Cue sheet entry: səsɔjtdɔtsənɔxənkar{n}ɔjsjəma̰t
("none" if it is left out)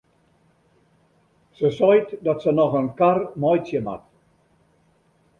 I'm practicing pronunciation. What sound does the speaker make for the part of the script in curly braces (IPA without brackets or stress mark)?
m